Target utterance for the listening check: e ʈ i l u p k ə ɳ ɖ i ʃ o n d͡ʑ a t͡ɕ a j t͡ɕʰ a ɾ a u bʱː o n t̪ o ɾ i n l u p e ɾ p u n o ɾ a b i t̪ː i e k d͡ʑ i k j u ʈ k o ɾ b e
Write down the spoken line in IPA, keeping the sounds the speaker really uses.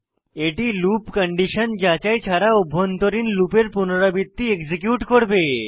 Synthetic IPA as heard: e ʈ i l u p k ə ɳ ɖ i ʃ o n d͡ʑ a t͡ɕ a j t͡ɕʰ a ɾ a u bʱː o n t̪ o ɾ i n l u p e ɾ p u n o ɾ a b i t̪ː i e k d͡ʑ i k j u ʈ k o ɾ b e